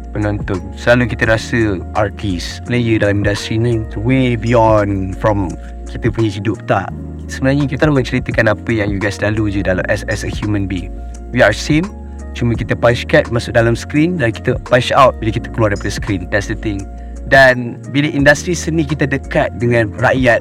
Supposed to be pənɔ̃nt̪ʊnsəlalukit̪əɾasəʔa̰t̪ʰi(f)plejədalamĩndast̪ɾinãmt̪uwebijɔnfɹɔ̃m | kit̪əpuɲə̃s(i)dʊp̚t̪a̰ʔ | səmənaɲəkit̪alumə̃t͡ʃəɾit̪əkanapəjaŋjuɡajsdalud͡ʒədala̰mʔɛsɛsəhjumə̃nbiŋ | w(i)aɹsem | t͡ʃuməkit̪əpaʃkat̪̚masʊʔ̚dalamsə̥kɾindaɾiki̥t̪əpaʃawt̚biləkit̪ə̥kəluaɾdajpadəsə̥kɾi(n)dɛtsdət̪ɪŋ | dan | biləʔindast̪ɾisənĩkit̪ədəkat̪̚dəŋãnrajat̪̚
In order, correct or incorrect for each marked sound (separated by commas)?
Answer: incorrect, correct, correct, correct